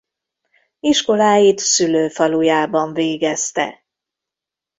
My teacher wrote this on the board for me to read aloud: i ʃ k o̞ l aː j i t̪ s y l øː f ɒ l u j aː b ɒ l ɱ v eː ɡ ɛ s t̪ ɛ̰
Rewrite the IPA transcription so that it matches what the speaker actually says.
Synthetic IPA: i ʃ k o̞ l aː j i t̪ s y l øː f ɒ l u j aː b ɒ ɱ v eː ɡ ɛ s t̪ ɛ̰